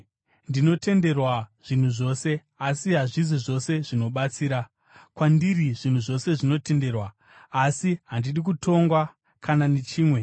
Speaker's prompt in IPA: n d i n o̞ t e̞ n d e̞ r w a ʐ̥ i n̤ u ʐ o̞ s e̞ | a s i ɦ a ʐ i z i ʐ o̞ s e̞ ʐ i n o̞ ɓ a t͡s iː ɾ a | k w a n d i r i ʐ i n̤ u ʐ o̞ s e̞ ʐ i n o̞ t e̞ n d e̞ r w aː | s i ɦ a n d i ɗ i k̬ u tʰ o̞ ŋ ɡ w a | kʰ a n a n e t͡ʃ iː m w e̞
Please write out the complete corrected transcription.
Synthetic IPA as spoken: n d i n o̞ t e̞ n d e̞ r w a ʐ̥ i n̤ u ʐ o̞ s e̞ | a s i ɦ a ʐ i z i ʐ o̞ s e̞ ʐ i n o̞ ɓ a t͡s iː ɾ a | k w a n d i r i ʐ i n̤ u ʐ o̞ s e̞ ʐ i n o̞ t e̞ n d e̞ r w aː | s i ɦ a n d i ɗ i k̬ u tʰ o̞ ŋ ɡ w a | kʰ a n a n e t͡ʃ iː m w e̞